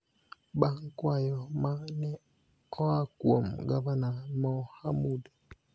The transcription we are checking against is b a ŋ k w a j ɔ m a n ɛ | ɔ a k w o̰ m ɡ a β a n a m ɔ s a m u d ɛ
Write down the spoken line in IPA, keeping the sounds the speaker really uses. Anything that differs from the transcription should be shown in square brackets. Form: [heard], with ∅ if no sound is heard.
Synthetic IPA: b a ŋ k w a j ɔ m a n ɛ | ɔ a k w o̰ m ɡ a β a n a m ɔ [h] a m u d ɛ